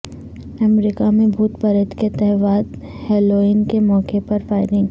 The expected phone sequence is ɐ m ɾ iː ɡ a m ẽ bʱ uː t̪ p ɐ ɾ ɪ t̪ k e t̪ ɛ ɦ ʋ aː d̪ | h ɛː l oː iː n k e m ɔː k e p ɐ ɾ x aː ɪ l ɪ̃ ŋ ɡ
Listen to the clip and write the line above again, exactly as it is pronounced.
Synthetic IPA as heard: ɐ m ɾ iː k a m ẽ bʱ uː t̪ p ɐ ɾ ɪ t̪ k e t̪ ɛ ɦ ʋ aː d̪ | h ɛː l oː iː n k e m ɔː k e p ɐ ɾ f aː ɪ ɾ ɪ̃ ŋ ɡ